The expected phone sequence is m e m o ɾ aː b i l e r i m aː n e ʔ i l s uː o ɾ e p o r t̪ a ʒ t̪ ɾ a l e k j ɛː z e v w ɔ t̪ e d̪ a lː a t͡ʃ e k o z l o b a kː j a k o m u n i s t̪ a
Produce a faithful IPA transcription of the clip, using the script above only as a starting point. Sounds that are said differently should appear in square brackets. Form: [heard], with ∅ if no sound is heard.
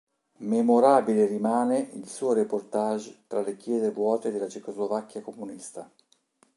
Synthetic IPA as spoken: m e m o ɾ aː b i l e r i m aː n e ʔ i l s uː o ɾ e p o r t̪ a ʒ t̪ ɾ a l e k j ɛː z e v w [ɔː] t̪ e d̪ [e] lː a t͡ʃ e k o z l o [v] a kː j a k o m u n i s t̪ a

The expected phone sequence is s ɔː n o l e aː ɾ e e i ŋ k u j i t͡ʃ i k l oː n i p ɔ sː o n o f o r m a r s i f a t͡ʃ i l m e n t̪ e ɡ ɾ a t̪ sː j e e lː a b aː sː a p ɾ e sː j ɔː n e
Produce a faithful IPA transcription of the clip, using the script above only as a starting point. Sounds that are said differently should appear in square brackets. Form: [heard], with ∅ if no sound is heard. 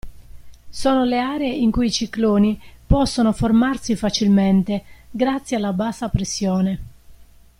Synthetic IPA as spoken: s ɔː n o l e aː ɾ e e i ŋ k u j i t͡ʃ i k l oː n i p ɔ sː o n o f o r m a r s i f a t͡ʃ i l m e n t̪ e ɡ ɾ a t̪ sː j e [a] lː a b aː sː a p ɾ e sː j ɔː n e

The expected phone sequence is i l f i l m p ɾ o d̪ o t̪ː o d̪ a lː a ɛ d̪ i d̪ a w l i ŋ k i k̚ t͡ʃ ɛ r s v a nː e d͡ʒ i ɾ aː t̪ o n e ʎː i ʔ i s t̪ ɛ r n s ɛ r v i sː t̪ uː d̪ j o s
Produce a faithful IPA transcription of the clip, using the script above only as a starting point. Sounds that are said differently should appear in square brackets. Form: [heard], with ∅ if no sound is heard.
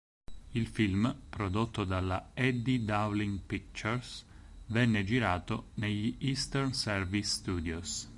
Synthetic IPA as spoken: i l f i l m p ɾ o d̪ o t̪ː o d̪ a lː a ɛ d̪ i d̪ a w l i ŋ [p] i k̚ t͡ʃ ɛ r s v [ɛ] nː e d͡ʒ i ɾ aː t̪ o n e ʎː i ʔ i s t̪ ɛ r n s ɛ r v i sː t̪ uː d̪ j o s

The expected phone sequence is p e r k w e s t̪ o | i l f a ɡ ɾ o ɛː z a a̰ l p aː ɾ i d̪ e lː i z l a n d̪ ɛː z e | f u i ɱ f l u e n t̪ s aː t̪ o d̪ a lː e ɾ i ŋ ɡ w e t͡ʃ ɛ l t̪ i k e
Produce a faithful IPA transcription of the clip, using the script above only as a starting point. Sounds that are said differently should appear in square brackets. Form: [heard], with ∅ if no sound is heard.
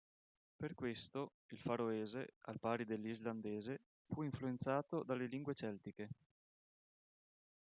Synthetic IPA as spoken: p e r k w e s t̪ o | i l f a [∅] ɾ o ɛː z [e] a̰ l p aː ɾ i d̪ e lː i z l a n d̪ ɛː z e | f u i ɱ f l u e n t̪ s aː t̪ o d̪ a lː e [l] i ŋ ɡ w e t͡ʃ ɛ l t̪ i k e

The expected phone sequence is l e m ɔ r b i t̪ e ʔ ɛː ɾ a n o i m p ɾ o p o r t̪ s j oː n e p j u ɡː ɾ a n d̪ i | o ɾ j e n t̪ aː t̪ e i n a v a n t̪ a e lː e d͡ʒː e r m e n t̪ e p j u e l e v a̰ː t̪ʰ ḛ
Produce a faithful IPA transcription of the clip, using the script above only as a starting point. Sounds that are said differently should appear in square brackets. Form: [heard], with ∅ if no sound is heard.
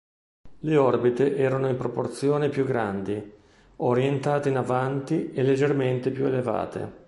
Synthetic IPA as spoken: l e [∅] ɔ r b i t̪ e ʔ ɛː ɾ a n o i m p ɾ o p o r t̪ s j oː n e p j u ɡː ɾ a n d̪ i | o ɾ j e n t̪ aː t̪ e i n a v a n t̪ [i] e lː e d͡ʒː e r m e n t̪ e p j u e l e v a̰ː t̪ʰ ḛ

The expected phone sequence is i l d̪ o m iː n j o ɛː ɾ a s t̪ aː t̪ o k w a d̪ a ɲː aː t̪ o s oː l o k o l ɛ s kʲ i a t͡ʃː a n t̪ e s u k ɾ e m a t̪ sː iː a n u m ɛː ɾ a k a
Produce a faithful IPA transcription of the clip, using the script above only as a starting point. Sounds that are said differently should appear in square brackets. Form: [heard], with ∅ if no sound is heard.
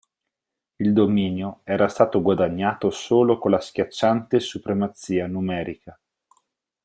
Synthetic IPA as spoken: i l d̪ o m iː n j o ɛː ɾ a s t̪ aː t̪ o [ɡ] w a d̪ a ɲː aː t̪ o s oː l o k o l [a] s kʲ [j] a t͡ʃː a n t̪ e s u [p] ɾ e m a t̪ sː iː a n u m ɛː ɾ [i] k a

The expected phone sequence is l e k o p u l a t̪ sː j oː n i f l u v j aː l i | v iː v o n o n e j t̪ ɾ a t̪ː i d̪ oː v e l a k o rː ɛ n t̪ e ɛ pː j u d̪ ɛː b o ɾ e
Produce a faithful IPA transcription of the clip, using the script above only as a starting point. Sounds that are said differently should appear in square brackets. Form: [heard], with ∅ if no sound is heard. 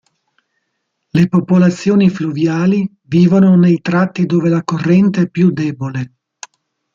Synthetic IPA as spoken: l e [p] o p [o] l a t̪ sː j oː n i f l u v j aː l i | v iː v o n o n e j t̪ ɾ a t̪ː i d̪ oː v e l a k o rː ɛ n t̪ e ɛ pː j u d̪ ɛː b o [l] e

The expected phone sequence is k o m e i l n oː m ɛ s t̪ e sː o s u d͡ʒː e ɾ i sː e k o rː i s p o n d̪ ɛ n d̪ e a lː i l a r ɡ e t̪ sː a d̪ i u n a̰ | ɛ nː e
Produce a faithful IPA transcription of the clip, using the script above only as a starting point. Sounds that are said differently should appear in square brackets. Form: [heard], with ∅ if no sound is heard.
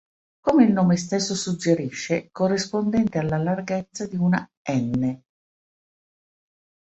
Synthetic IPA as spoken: k o m e i l n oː m [e] s t̪ e sː o s u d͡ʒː e ɾ i [ʃː] e k o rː i s p o n d̪ ɛ n [t̪] e a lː [a] l a r ɡ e t̪ sː a d̪ i u n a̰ | ɛ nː e

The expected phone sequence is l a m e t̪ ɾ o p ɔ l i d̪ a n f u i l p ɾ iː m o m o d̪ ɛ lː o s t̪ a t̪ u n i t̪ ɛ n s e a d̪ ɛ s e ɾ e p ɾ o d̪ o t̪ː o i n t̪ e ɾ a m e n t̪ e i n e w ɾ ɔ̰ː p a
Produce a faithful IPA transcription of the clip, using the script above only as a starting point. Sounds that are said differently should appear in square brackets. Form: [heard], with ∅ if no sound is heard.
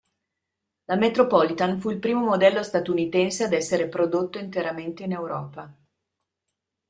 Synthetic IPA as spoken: l a m e t̪ ɾ o p ɔ l i [t̪] a n f u i l p ɾ iː m o m o d̪ ɛ lː o s t̪ a t̪ u n i t̪ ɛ n s e a d̪ ɛ [sː] e ɾ e p ɾ o d̪ o t̪ː o i n t̪ e ɾ a m e n t̪ e i n e w ɾ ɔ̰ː p a

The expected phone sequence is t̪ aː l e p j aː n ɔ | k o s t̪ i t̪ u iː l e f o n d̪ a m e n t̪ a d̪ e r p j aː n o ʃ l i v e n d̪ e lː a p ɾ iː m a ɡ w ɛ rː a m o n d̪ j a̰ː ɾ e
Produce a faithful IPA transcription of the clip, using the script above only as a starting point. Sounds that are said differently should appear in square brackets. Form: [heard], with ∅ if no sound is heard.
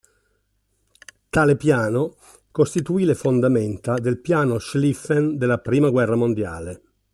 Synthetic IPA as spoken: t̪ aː l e p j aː n [o] | k o s t̪ i t̪ u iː l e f o n d̪ a m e n t̪ a d̪ e [l] p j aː n o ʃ l i [f] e n d̪ e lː a p ɾ iː m a ɡ w ɛ rː a m o n d̪ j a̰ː [l] e

